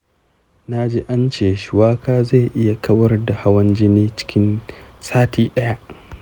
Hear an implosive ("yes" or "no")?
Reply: yes